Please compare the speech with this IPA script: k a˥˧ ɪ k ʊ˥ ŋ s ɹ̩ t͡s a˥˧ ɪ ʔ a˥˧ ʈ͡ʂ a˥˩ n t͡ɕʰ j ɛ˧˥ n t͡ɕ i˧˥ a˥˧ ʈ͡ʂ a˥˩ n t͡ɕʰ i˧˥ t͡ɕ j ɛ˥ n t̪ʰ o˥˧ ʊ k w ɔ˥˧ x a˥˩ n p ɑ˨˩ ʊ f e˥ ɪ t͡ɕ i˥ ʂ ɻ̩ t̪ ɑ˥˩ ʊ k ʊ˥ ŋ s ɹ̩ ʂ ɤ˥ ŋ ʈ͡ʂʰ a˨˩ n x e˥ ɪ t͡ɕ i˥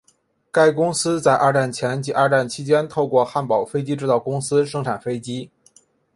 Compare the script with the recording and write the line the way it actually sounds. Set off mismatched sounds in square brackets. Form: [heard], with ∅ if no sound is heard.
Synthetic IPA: k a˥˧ ɪ k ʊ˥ ŋ s ɹ̩ t͡s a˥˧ ɪ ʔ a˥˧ ʈ͡ʂ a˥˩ n t͡ɕʰ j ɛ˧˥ n t͡ɕ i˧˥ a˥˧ ʈ͡ʂ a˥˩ n t͡ɕʰ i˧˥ t͡ɕ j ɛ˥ n t̪ʰ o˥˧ ʊ k w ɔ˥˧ x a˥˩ n p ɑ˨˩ ʊ f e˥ ɪ t͡ɕ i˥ [ʈ͡ʂ] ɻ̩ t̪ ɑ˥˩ ʊ k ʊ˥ ŋ s ɹ̩ ʂ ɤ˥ ŋ ʈ͡ʂʰ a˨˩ n [f] e˥ ɪ t͡ɕ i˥